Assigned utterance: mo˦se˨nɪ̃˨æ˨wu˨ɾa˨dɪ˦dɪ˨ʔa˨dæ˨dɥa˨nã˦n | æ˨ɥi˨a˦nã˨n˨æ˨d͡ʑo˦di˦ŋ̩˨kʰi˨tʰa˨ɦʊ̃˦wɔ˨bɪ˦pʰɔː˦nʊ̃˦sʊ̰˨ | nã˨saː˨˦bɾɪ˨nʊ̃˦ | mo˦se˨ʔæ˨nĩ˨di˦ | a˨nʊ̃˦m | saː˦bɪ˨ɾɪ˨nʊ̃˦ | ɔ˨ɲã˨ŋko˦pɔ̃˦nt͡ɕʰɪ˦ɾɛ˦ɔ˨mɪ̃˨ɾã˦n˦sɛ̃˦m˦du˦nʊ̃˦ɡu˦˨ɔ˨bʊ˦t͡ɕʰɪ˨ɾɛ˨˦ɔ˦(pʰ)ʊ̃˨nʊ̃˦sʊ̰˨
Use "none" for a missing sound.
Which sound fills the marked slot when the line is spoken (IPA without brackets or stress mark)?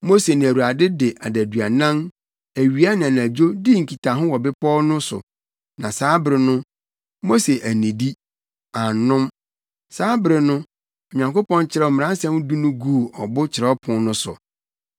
pʰ